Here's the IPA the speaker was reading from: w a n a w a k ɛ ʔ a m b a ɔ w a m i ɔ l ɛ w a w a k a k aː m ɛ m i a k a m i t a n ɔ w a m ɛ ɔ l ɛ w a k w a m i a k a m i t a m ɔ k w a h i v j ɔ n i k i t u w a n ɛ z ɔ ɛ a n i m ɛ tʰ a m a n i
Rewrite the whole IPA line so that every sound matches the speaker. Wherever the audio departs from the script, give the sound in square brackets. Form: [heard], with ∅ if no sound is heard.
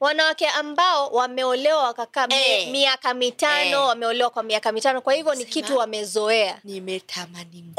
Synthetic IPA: w a n a w a k ɛ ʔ a m b a ɔ w a m [ɛ] ɔ l ɛ w a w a k a k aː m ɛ m i a k a m i t a n ɔ w a m ɛ ɔ l ɛ w a k w a m i a k a m i t a [n] ɔ k w a h i v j ɔ n i k i t u w a [m] ɛ z ɔ ɛ a n i m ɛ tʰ a m a n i